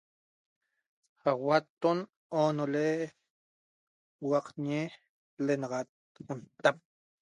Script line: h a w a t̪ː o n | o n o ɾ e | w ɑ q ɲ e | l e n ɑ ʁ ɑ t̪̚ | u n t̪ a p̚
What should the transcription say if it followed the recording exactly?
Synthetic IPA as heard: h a w a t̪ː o n | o n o l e | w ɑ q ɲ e | l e n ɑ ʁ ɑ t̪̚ | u n t̪ a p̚